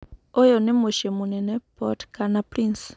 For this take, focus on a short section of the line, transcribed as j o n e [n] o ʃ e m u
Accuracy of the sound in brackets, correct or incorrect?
incorrect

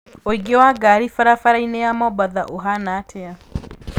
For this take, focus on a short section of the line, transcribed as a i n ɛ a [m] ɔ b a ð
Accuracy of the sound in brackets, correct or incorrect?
correct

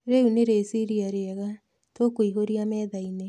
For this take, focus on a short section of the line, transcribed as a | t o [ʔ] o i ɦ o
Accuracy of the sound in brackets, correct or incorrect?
incorrect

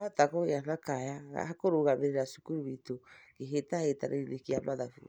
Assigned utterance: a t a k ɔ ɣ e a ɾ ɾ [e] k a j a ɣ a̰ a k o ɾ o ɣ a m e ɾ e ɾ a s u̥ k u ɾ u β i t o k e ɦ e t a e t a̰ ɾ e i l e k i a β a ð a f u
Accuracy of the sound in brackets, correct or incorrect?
incorrect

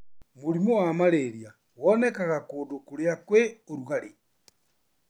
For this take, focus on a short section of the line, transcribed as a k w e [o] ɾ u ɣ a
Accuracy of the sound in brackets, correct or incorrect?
correct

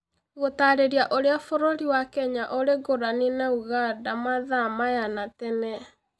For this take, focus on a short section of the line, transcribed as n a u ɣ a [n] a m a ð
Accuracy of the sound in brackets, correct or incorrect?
incorrect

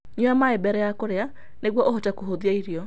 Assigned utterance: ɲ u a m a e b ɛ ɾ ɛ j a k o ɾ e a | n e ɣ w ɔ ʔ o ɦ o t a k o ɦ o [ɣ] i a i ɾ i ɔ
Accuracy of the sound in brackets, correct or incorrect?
incorrect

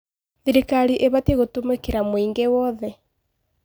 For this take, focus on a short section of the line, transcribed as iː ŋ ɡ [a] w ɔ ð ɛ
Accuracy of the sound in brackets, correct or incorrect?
incorrect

